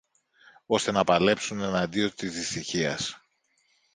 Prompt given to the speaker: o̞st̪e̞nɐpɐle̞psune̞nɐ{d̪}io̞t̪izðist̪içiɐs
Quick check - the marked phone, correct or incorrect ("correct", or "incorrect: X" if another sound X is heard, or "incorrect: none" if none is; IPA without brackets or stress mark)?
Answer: correct